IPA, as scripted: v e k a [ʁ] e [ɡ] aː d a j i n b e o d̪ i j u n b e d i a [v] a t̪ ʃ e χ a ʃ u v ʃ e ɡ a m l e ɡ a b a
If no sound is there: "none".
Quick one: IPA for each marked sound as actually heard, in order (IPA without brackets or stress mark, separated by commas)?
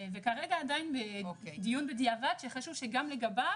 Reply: ʁ, ɡ, v